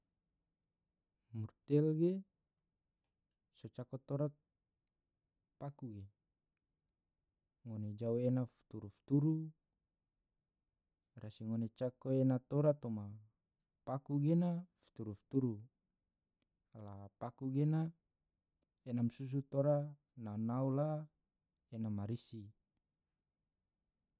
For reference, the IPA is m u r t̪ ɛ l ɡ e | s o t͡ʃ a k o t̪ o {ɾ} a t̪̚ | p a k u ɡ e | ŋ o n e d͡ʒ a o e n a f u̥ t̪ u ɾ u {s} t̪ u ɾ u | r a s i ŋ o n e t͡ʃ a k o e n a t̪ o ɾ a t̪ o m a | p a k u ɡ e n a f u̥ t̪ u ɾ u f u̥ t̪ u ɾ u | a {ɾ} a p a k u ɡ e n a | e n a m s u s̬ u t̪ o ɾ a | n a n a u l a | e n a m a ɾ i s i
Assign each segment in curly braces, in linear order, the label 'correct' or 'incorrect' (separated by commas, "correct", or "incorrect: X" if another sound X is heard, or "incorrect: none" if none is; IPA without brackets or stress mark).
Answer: correct, incorrect: f, incorrect: l